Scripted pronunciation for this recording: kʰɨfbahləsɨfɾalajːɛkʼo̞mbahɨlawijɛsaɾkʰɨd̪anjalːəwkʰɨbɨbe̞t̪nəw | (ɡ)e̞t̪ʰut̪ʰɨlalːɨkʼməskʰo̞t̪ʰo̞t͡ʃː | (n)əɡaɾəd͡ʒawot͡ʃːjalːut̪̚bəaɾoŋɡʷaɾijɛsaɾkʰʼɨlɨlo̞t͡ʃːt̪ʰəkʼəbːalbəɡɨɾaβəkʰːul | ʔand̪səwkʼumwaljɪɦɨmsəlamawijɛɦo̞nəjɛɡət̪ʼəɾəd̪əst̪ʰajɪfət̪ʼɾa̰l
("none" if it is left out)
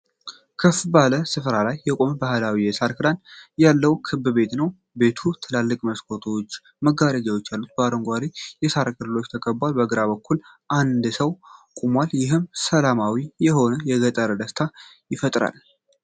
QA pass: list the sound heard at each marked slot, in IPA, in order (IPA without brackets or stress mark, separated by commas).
b, m